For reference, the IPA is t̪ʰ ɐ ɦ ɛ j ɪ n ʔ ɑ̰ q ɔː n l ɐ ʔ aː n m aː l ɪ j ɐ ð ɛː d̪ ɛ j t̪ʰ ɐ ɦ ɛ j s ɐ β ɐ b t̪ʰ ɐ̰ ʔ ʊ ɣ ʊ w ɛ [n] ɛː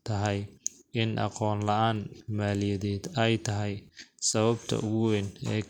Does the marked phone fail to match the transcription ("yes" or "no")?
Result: no